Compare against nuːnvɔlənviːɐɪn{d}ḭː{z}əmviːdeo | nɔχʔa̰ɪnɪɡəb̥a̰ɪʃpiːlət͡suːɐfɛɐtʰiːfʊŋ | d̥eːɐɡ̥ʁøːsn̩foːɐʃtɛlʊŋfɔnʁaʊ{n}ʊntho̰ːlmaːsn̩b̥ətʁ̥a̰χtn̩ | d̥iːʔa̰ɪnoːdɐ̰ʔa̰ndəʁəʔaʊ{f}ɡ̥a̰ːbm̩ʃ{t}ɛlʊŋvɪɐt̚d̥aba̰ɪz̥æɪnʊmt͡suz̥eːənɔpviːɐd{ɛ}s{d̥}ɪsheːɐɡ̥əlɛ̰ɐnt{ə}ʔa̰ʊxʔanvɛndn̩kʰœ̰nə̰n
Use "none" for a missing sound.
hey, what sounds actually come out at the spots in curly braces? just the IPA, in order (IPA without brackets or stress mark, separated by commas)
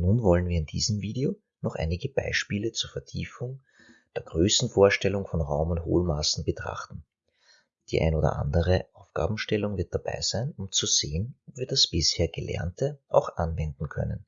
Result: d, z, m, f, t, a, b̥, ə